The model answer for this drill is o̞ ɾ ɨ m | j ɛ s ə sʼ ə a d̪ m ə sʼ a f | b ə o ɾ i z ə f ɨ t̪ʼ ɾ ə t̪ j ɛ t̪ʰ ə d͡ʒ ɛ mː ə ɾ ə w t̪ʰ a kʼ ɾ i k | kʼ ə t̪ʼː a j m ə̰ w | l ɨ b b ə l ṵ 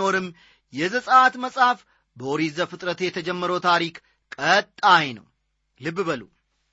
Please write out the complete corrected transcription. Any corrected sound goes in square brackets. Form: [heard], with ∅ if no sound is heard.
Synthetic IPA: o̞ ɾ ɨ m | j ɛ [z] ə sʼ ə a [t̪] m ə sʼ a f | b ə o ɾ i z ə f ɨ t̪ʼ ɾ ə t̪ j ɛ t̪ʰ ə d͡ʒ ɛ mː ə ɾ ə w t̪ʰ a [∅] ɾ i k | kʼ ə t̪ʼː a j [n] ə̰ w | l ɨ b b ə l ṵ